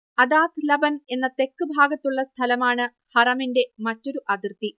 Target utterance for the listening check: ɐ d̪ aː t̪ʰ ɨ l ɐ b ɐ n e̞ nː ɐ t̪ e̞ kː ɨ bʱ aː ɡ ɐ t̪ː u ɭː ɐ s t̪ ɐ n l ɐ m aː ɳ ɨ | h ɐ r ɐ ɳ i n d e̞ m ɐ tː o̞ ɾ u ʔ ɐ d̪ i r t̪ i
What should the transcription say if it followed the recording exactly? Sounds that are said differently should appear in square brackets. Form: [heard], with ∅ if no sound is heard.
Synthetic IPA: ɐ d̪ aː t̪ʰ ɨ l ɐ b ɐ n e̞ nː ɐ t̪ e̞ kː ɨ bʱ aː ɡ ɐ t̪ː u ɭː ɐ s [t̪ʰ] ɐ [∅] l ɐ m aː ɳ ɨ | h ɐ r ɐ [m] i n d e̞ m ɐ tː o̞ ɾ u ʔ ɐ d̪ i r t̪ i